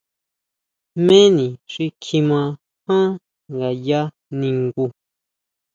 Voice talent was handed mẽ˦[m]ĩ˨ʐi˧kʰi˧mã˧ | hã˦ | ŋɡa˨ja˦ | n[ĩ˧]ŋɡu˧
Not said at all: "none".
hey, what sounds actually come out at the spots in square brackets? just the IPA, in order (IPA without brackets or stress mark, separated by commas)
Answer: n, ĩ˧